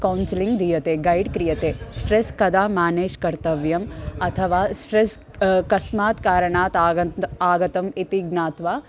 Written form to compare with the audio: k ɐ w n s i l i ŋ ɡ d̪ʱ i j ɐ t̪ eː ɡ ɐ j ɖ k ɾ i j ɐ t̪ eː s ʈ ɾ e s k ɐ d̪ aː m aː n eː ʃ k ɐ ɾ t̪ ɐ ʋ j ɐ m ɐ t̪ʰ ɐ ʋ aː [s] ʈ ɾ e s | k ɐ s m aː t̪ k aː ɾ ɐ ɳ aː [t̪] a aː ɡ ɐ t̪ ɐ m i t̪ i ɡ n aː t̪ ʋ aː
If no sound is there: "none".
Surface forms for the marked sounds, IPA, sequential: s, t̪

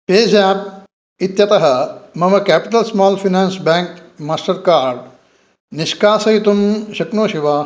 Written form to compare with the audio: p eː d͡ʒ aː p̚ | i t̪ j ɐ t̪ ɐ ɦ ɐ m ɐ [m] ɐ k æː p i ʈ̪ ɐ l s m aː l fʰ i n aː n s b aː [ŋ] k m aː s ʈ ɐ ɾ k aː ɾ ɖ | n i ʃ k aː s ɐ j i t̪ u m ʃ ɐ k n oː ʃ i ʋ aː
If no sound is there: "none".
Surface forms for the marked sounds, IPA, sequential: m, ŋ

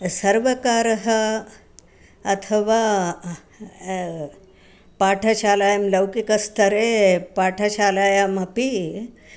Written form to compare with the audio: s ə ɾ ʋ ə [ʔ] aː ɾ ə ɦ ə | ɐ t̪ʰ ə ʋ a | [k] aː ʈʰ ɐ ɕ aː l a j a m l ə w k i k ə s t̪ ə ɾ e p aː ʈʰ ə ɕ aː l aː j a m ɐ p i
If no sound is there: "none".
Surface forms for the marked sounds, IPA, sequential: k, p

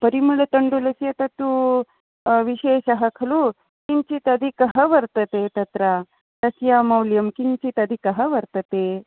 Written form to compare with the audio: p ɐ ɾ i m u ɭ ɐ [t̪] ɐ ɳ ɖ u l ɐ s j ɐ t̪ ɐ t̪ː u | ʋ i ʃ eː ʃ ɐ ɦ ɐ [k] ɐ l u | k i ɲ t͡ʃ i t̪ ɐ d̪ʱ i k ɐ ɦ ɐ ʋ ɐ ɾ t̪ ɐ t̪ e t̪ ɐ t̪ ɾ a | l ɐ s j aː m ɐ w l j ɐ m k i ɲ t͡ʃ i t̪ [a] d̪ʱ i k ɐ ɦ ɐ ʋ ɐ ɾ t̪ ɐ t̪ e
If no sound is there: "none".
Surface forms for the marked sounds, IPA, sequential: t̪, kʰ, ɐ

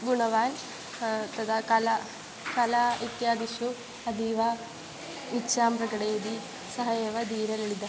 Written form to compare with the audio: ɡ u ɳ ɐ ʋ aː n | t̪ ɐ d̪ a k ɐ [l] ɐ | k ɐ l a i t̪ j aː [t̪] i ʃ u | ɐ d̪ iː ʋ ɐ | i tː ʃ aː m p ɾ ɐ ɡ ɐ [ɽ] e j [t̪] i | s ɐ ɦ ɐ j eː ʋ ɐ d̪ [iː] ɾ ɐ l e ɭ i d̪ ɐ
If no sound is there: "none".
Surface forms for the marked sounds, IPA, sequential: l, d̪, ɽ, d̪, iː

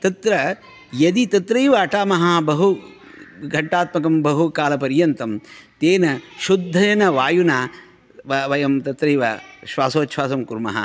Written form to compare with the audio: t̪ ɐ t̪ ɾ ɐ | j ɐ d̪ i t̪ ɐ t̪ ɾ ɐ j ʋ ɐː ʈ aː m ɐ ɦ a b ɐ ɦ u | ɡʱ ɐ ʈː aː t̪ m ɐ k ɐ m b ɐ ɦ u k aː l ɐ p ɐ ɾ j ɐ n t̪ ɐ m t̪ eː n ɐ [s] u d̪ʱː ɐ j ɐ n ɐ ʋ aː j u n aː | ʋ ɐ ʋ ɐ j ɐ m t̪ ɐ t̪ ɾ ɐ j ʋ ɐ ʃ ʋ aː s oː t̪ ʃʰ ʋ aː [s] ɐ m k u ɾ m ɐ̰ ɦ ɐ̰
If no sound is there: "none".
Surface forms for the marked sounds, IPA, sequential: ʃ, s

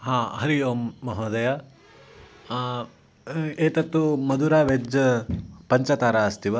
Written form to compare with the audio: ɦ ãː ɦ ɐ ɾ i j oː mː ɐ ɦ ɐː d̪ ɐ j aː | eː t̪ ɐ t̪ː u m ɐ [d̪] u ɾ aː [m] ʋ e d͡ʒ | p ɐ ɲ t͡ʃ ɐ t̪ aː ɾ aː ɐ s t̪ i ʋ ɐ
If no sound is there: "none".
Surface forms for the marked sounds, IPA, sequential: d̪, none

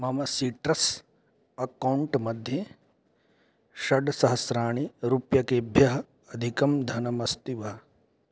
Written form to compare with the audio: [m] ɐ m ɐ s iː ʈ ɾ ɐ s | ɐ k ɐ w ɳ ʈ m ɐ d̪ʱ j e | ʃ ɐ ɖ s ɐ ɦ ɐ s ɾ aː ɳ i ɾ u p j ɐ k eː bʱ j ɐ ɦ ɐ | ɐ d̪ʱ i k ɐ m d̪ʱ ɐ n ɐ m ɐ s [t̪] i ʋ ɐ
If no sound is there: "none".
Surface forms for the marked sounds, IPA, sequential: m, t̪

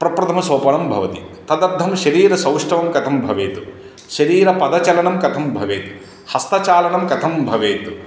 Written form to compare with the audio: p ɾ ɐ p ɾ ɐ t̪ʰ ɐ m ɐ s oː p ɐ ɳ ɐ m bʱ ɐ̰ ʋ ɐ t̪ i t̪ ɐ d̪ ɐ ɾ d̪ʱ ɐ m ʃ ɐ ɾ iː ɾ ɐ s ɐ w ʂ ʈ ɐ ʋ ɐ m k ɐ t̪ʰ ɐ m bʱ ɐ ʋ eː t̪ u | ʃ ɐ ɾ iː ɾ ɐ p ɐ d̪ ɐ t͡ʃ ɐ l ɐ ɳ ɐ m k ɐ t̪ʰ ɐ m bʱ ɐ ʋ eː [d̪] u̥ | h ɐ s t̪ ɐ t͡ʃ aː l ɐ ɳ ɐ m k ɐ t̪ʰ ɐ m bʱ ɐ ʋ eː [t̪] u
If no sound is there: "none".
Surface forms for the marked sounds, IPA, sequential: t̪, t̪

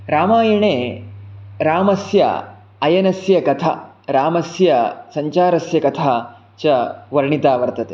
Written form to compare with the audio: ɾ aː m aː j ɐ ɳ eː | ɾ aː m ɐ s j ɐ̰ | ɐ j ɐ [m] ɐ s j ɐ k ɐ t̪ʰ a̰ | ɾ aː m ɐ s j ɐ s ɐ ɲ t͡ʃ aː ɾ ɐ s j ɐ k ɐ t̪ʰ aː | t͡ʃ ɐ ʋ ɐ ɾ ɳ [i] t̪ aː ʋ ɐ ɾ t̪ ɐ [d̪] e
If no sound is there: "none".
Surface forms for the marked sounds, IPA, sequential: n, i, t̪

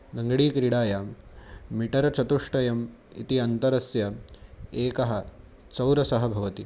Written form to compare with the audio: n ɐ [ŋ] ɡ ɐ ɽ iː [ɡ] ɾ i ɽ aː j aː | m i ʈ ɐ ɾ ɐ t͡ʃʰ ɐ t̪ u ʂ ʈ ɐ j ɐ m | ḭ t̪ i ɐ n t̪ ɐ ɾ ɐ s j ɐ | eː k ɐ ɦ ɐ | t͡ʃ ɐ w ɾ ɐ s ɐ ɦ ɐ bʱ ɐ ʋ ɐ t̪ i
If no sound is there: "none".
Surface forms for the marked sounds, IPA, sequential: ŋ, k

